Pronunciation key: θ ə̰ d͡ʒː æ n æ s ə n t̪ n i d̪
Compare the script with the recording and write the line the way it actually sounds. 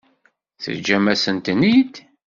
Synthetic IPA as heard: θ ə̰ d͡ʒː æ m æ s ə n t̪ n i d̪

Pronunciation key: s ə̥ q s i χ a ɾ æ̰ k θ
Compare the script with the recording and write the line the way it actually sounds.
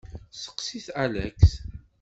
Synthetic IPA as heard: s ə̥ q s i θ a l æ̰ k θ

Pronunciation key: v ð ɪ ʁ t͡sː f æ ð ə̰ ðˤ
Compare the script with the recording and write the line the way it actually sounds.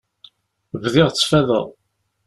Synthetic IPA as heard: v ð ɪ ʁ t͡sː f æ ð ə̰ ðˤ

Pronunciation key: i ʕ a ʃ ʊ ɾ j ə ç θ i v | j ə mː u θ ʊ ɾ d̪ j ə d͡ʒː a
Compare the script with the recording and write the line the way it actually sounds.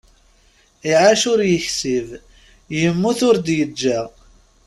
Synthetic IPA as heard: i ʕ a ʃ ʊ ɾ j ə ç s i v | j ə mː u θ ʊ ɾ d̪ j ə d͡ʒː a

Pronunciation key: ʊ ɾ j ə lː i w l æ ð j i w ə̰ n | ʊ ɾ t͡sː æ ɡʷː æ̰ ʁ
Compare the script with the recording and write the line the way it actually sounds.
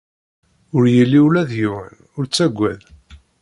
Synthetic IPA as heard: ʊ ɾ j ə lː i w l æ ð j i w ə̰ n | ʊ ɾ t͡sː æ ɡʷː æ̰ ð

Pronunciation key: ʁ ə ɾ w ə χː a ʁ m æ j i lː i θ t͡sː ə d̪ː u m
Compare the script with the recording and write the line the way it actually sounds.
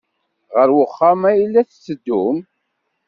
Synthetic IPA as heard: ʁ ə ɾ w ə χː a m æ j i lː æ θ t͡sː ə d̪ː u m

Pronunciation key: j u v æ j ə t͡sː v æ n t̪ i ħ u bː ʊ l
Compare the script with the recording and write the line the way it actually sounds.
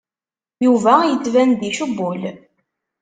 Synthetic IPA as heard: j u v æ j ə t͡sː v æ n d̪ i ʃ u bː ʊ l

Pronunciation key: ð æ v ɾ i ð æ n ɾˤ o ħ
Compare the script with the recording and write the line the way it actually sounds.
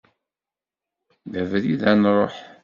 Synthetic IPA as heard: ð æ v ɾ i ð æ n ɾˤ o ħ

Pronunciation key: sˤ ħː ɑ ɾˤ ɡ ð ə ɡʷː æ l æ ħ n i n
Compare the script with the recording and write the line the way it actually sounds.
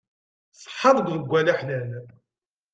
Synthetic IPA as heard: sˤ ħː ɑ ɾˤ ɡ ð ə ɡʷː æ l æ ħ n æ n

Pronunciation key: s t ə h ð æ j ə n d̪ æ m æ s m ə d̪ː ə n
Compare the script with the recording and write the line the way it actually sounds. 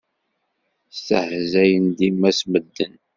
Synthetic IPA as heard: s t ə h z æ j ə n d̪ i m æ s m ə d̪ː ə n

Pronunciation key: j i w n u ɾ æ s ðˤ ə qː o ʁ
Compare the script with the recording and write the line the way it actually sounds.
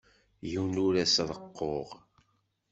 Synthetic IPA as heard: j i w n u ɾ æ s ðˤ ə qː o ʁ

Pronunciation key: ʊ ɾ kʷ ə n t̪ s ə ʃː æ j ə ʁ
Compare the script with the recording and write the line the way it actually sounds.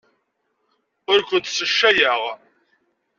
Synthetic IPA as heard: ʊ ɾ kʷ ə n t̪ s ə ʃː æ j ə ʁ

